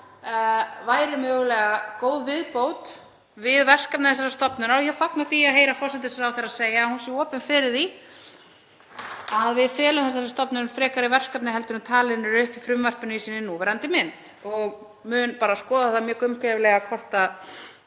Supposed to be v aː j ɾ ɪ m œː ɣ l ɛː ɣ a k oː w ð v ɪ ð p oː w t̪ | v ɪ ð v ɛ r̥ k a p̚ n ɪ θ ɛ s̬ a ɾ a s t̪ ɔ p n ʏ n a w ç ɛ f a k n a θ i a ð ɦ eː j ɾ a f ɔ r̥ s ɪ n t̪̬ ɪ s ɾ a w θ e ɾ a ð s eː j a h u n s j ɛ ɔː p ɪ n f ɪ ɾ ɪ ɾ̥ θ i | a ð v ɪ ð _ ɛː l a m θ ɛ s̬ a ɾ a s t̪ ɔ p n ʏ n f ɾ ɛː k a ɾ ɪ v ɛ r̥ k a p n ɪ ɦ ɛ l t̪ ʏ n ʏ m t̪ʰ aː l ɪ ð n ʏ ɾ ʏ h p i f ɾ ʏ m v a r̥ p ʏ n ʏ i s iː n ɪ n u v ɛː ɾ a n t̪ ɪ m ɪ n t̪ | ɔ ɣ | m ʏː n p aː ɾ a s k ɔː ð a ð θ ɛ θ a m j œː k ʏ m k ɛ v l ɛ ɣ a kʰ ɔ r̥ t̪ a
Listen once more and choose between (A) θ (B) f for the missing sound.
B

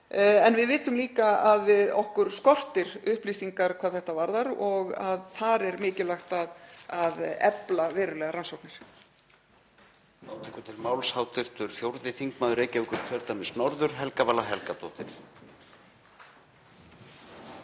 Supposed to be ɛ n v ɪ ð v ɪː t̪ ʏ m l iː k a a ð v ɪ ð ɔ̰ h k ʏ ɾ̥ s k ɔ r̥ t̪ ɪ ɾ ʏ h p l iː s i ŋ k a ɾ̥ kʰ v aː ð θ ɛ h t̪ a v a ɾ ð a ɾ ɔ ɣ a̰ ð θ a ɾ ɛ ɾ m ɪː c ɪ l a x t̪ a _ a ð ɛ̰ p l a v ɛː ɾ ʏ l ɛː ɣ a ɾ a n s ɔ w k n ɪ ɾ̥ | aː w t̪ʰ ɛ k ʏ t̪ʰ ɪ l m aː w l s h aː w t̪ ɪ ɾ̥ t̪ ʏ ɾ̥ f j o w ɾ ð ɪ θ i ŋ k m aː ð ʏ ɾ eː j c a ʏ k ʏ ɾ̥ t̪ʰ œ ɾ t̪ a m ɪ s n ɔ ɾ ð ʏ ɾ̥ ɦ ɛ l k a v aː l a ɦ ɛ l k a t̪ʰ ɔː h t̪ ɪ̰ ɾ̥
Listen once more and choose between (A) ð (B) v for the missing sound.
A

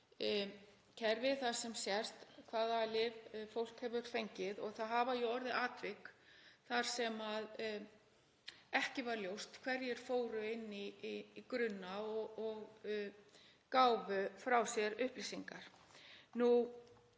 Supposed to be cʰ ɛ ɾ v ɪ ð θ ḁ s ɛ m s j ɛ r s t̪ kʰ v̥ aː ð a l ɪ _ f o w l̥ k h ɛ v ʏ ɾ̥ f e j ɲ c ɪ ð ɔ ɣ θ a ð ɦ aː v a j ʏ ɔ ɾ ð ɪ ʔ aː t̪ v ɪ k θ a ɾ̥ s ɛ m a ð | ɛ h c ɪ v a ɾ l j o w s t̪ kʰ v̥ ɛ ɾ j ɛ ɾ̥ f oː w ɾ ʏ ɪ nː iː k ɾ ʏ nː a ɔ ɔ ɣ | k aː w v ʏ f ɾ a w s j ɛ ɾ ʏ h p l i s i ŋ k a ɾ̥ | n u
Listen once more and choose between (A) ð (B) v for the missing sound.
B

